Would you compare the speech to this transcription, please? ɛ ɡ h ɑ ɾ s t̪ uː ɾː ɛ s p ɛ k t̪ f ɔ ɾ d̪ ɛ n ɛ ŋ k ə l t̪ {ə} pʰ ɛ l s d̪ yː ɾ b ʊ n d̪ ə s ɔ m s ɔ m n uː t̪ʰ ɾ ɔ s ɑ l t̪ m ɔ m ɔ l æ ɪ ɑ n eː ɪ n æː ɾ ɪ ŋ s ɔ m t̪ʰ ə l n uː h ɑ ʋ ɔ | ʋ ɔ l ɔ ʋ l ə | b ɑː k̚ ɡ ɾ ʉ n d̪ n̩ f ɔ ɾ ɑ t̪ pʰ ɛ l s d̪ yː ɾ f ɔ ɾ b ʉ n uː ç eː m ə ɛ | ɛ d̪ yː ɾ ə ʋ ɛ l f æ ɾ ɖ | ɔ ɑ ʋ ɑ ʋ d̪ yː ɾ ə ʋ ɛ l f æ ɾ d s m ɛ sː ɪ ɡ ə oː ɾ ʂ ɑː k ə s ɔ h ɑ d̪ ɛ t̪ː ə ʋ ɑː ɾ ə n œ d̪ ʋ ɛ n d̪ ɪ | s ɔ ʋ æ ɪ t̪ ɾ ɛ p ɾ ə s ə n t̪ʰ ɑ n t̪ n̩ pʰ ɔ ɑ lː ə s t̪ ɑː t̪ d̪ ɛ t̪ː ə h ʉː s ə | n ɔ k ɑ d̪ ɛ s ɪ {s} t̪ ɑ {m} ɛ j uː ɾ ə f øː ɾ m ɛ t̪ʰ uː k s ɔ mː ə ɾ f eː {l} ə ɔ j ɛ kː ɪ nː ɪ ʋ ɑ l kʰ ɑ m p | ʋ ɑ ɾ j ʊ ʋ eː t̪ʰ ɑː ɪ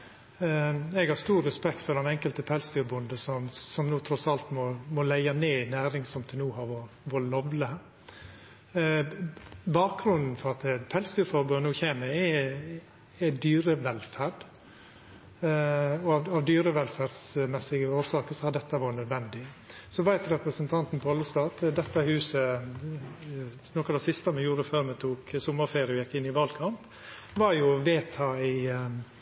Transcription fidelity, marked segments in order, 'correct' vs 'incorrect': correct, correct, correct, incorrect: ɾ

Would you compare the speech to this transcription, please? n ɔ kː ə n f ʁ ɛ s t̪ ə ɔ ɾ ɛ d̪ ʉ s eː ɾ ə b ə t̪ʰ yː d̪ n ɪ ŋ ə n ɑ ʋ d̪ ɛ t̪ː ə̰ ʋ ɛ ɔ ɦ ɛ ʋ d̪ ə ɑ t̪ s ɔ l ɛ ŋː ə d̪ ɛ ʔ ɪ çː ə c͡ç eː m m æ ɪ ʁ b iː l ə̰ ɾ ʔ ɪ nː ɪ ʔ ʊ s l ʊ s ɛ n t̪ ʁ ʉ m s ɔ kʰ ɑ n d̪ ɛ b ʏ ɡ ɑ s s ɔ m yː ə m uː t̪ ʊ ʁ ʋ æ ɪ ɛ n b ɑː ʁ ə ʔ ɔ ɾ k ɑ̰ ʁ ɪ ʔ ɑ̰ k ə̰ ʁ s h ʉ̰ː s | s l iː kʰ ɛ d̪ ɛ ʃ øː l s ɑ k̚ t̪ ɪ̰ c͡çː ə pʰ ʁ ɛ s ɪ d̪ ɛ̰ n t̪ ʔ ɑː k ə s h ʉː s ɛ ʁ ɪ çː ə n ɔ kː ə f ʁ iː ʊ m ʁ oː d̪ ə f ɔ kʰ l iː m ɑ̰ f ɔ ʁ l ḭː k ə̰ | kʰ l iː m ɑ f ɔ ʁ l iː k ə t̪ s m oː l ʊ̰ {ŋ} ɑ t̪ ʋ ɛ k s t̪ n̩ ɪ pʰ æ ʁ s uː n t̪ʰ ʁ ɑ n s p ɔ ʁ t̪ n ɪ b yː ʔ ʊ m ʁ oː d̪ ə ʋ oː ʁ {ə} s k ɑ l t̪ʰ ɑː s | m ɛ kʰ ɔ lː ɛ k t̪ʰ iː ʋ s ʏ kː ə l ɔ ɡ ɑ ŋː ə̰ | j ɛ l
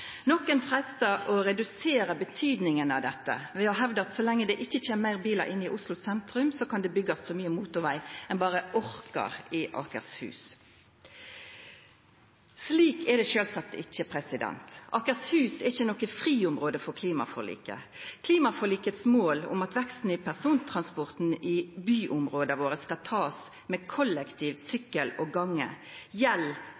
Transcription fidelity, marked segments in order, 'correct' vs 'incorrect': incorrect: m, correct

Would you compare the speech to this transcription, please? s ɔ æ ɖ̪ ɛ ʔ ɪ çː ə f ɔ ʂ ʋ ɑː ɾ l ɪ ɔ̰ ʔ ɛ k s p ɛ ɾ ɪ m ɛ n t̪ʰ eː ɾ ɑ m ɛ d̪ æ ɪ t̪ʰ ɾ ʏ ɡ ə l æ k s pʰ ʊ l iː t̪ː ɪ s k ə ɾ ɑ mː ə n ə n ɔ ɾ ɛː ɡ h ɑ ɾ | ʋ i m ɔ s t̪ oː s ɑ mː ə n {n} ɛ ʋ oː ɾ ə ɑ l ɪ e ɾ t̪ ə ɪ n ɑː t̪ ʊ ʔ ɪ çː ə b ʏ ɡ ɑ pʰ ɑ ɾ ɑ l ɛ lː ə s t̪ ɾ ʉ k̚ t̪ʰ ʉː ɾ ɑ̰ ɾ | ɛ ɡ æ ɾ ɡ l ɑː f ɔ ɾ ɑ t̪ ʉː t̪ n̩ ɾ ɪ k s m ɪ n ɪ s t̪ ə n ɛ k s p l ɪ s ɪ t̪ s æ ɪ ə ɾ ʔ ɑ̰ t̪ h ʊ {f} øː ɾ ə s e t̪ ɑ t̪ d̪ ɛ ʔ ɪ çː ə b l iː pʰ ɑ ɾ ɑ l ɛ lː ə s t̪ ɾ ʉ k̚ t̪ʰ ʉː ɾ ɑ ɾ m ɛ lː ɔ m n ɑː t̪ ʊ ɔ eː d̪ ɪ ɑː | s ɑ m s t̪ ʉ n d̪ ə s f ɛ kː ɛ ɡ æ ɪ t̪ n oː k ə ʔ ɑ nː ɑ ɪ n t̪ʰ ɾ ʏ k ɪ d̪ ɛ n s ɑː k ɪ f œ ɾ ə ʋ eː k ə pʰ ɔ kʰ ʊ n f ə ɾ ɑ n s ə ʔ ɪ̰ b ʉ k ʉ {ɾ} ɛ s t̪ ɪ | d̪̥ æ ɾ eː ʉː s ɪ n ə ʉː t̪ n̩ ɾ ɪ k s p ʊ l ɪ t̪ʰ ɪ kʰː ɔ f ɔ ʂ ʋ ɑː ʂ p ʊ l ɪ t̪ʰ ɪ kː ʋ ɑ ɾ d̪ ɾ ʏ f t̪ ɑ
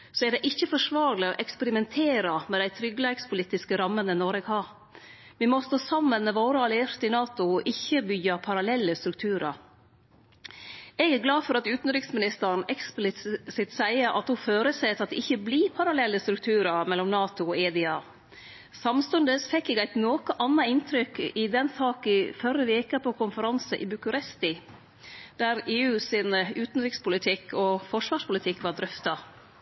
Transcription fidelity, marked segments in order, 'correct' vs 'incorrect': incorrect: m, correct, correct

